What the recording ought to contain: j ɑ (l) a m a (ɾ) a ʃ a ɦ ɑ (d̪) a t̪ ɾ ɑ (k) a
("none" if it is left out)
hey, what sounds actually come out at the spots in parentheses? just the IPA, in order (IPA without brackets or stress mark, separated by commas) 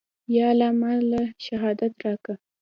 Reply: l, l, d̪, k